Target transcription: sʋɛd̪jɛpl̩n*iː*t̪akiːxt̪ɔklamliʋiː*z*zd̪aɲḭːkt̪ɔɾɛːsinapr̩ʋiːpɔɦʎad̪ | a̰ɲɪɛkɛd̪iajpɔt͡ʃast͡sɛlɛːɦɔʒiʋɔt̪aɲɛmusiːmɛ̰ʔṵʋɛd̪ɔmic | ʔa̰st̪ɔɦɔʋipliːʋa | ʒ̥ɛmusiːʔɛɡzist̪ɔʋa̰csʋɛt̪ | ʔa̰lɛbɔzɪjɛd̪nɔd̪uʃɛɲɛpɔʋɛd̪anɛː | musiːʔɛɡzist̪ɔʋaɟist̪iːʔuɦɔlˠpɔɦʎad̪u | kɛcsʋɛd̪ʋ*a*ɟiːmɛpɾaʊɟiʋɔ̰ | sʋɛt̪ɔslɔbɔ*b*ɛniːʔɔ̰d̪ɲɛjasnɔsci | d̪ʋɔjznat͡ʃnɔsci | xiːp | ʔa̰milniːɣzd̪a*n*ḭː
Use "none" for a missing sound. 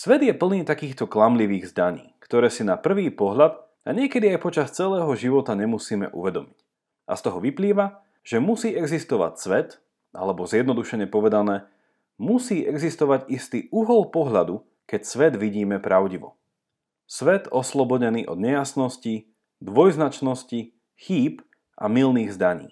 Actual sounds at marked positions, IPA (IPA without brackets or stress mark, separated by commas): iː, ɣ, i, ɟ, ɲ